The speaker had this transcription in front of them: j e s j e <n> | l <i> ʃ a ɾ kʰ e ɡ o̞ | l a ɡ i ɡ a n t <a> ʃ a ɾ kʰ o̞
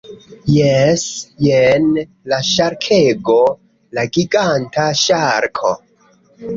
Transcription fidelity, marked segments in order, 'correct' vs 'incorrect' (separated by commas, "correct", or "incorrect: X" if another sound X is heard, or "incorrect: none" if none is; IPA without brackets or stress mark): correct, incorrect: a, correct